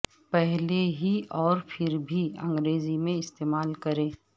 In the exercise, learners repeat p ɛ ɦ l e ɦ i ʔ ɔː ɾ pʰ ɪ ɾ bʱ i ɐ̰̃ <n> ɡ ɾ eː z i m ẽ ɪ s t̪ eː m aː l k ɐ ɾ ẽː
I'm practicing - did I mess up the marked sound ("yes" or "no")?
yes